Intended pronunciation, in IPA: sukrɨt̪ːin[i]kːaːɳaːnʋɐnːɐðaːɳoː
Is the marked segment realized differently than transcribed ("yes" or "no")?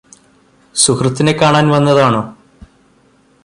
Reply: yes